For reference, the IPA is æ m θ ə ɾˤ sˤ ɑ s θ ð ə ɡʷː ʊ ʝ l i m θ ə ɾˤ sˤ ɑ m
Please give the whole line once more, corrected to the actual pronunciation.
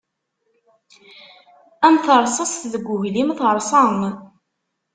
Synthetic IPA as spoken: æ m θ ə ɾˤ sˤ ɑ s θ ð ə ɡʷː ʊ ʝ l i m θ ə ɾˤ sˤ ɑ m

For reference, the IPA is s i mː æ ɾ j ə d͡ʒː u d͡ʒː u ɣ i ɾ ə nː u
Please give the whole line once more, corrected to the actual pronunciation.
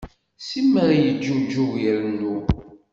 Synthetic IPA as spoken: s i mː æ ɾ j ə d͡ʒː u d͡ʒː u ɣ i ɾ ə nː u

